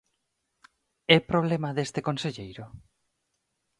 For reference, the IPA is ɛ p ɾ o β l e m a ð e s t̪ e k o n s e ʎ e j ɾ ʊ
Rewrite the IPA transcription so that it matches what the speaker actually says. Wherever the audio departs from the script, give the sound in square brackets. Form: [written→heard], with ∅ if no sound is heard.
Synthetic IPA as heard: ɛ p ɾ o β l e m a ð e s t̪ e k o n s e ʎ e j ɾ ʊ